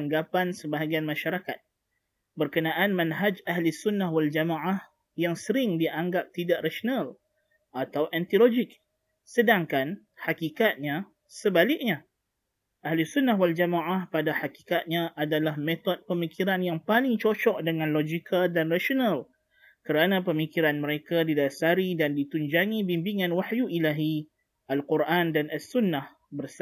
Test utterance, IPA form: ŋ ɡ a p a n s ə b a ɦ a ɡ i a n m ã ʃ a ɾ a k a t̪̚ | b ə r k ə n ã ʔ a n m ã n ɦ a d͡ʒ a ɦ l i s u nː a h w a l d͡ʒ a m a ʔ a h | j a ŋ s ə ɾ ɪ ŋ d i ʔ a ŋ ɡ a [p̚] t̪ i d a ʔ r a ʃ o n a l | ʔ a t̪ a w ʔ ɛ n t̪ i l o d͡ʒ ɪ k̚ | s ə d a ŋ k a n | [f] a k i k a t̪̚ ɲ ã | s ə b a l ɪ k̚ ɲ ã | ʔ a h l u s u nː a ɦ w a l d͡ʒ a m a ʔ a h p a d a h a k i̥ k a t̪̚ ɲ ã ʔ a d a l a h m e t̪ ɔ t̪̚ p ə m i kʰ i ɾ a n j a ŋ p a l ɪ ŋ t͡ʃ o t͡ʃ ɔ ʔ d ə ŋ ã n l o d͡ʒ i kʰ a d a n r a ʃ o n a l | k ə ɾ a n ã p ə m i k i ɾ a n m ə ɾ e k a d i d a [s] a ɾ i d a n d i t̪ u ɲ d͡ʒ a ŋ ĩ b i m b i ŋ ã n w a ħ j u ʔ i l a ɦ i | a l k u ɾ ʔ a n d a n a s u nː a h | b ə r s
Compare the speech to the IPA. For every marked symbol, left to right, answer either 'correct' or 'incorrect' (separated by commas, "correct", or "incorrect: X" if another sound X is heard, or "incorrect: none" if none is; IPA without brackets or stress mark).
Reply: correct, incorrect: h, correct